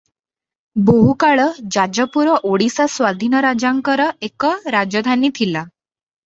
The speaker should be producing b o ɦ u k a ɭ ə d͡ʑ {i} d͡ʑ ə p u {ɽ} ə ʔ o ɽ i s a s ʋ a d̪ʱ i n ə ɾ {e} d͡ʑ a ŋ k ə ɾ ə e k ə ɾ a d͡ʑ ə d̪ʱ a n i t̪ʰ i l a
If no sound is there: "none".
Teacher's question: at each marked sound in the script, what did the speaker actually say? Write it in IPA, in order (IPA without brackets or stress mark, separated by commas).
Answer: a, ɾ, a